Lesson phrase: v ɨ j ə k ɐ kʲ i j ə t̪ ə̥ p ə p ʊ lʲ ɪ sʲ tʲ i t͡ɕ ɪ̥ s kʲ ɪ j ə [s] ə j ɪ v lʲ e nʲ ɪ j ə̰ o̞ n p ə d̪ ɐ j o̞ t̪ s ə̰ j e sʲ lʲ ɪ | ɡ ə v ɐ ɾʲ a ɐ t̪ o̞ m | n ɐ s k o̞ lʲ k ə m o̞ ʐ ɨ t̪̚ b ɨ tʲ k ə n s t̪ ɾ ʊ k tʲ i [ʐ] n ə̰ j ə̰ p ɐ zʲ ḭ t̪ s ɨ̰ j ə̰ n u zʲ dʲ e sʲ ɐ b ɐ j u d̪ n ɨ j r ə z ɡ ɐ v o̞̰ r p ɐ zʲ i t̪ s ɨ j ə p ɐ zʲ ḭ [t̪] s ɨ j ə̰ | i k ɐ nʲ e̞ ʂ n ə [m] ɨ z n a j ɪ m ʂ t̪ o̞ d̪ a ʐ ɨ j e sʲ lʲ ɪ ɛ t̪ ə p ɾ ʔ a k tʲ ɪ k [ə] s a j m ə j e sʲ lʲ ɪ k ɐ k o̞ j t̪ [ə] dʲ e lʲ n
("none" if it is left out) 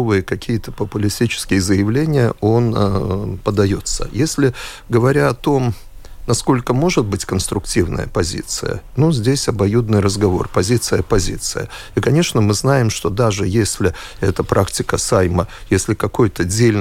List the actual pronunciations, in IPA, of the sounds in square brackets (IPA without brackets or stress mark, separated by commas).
z, v, t̪, m, ə, ə